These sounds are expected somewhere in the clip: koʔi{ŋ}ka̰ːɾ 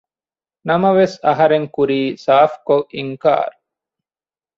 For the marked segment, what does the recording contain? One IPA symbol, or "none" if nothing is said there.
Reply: ŋ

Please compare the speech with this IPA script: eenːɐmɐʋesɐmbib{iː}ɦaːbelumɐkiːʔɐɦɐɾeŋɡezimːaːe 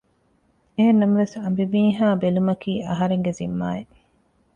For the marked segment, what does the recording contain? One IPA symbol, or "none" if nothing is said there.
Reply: iː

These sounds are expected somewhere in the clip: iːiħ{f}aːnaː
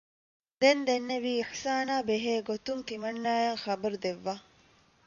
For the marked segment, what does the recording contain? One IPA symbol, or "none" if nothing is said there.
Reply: s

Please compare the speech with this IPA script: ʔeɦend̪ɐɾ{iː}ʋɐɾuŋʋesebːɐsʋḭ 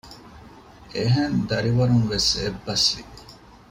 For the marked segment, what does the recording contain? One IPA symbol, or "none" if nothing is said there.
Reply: i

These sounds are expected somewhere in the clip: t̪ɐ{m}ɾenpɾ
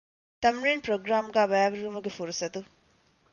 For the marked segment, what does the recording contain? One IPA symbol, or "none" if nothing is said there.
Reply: m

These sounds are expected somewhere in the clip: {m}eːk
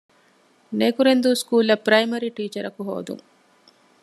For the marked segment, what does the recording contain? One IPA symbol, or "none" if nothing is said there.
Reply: n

